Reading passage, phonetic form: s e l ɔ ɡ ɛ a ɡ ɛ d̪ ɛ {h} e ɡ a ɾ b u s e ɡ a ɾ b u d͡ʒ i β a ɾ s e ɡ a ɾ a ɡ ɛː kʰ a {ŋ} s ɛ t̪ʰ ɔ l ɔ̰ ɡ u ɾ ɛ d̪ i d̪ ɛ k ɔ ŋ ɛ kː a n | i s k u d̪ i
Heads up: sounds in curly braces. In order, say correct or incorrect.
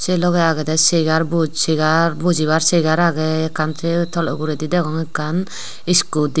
incorrect: s, incorrect: n

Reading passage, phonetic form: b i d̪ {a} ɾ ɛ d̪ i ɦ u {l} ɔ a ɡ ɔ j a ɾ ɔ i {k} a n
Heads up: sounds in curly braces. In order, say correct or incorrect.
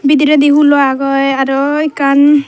incorrect: i, correct, correct

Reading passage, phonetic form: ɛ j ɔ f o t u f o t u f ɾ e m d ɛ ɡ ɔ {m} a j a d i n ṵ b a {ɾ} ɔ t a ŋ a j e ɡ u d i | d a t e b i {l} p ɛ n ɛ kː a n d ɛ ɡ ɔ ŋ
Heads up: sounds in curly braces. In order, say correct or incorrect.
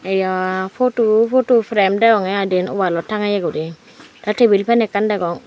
incorrect: ŋ, incorrect: l, correct

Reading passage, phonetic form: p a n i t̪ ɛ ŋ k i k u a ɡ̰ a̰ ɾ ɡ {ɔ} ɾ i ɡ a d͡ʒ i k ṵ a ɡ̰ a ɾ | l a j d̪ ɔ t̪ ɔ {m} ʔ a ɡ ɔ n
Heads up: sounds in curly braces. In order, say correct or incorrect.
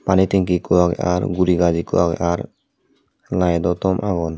incorrect: u, correct

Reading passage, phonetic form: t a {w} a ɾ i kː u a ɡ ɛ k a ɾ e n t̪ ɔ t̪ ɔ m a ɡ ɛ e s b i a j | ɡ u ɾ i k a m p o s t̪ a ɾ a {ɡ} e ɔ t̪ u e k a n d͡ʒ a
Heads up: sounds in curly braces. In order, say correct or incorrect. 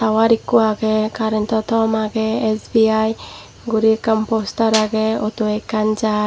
correct, correct

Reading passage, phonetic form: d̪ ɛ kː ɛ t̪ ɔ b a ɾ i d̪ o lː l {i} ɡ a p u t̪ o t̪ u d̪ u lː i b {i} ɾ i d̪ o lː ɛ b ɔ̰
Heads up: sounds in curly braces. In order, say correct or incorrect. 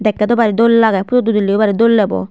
incorrect: a, incorrect: a

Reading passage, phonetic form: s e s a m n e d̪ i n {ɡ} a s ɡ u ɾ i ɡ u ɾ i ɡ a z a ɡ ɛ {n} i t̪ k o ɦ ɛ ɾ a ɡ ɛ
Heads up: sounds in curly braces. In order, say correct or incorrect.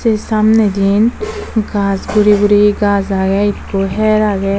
correct, incorrect: none

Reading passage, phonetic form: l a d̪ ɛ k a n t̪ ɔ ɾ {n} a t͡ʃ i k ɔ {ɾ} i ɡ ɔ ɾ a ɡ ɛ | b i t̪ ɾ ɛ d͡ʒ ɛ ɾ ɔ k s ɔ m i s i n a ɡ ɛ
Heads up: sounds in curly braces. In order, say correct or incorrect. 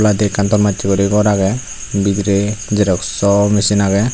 incorrect: m, correct

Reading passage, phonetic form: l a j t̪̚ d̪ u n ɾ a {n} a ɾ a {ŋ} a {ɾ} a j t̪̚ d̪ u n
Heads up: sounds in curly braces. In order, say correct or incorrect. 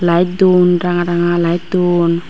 incorrect: ŋ, correct, incorrect: l

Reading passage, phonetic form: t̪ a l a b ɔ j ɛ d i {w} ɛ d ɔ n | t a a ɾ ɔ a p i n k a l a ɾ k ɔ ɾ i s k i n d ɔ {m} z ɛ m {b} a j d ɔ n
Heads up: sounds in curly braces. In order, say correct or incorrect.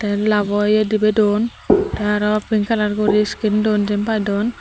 incorrect: b, incorrect: n, incorrect: p

